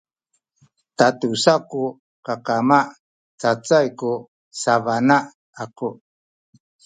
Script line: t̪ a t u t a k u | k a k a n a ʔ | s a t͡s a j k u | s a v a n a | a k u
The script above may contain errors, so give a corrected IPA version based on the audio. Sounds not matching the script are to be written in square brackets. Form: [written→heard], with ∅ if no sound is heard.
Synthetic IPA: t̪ a t u [t→s] a k u | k a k a [n→m] a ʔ | [s→t͡s] a t͡s a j k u | s a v a n a | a k u

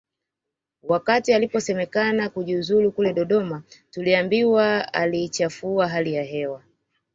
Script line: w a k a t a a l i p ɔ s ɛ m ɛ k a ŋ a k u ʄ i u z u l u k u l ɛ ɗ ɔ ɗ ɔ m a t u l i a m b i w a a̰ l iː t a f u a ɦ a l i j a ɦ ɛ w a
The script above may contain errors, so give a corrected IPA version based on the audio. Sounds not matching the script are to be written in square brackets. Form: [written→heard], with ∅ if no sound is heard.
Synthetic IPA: w a k a t [a→i] a l i p ɔ s ɛ m ɛ k a [ŋ→n] a k u ʄ i u z u l u k u l ɛ ɗ ɔ ɗ ɔ m a t u l i a m b i w a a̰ l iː [t→t͡ʃ] a f u a ɦ a l i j a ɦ ɛ w a

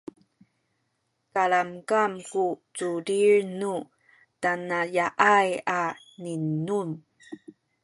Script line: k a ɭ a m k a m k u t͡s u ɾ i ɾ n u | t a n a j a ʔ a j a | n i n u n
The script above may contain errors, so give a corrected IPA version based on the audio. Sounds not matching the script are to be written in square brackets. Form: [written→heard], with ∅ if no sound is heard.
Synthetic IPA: k a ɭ a m k a m k u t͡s u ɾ i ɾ n u | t a n a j a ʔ a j a | n i n u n

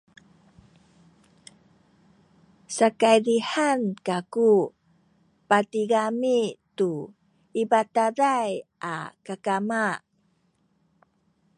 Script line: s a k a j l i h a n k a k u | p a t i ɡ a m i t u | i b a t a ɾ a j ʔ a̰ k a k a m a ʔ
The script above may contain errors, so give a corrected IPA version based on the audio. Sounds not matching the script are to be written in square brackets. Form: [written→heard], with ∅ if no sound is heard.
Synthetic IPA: s a k a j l i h a n k a k u | p a t i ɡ a m i t u | i b a t a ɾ a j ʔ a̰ k a k a m a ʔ

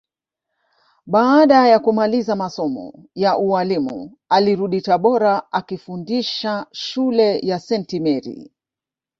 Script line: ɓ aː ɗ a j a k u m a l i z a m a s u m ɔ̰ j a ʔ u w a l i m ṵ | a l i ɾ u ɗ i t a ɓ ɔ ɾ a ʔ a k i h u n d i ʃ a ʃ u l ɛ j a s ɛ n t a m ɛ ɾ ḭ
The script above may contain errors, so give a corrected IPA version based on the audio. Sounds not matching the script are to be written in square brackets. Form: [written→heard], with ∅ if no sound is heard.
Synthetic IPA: ɓ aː ɗ a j a k u m a l i z a m a s [u→ɔ] m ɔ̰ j a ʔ u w a l i m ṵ | a l i ɾ u ɗ i t a ɓ ɔ ɾ a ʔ a k i [h→f] u n d i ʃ a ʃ u l ɛ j a s ɛ n t [a→i] m ɛ ɾ ḭ

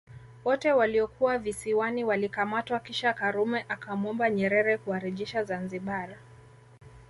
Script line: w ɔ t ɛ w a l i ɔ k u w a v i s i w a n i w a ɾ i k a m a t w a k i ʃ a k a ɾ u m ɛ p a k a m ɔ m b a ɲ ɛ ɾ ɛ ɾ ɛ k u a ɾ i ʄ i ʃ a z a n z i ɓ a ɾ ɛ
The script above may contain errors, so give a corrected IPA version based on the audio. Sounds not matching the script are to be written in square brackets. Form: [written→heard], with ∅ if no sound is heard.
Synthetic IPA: w ɔ t ɛ w a l i ɔ k u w a v i s i w a n i w a [ɾ→l] i k a m a t w a k i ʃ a k a ɾ u m ɛ [p→ʔ] a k a m ɔ m b a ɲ ɛ ɾ ɛ ɾ ɛ k u a ɾ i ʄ i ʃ a z a n z i ɓ a ɾ [ɛ→a]

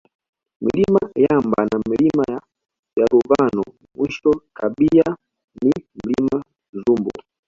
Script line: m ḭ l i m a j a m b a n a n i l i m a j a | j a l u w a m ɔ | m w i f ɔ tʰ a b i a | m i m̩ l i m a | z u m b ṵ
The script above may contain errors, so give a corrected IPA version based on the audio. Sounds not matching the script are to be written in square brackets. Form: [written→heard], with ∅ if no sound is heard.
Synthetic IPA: m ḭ l i m a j a m b a n a [n→m] i l i m a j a | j a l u [w→v] a [m→n] ɔ | m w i [f→ʃ] ɔ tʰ a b i a | [m→n] i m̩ l i m a | z u m b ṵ

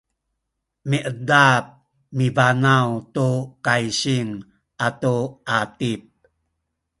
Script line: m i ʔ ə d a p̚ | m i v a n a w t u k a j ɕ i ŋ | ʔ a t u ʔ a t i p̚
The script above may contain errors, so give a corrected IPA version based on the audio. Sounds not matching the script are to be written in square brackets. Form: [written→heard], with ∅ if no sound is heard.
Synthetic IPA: m i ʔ ə d a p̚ | m i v a n a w t u k a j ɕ i ŋ | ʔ a t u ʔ a t i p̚

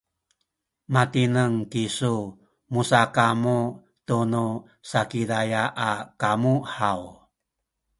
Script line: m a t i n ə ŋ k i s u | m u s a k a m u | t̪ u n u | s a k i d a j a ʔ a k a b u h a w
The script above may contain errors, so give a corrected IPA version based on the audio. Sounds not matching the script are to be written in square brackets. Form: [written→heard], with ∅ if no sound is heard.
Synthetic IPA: m a t i n ə ŋ k i s u | m u s a k a m u | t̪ u n u | s a k i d a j a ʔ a k a [b→m] u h a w

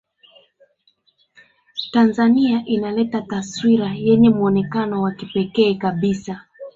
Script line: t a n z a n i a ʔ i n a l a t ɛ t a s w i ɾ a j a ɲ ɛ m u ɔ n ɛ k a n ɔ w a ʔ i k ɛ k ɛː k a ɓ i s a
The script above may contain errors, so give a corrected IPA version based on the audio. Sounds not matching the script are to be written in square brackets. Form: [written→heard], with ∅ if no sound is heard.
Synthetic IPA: t a n z a n i a ʔ i n a l [a→ɛ] t [ɛ→a] t a s w i ɾ a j [a→ɛ] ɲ ɛ m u ɔ n ɛ k a n ɔ w a [ʔ→k] i [k→p] ɛ k ɛː k a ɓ i s a

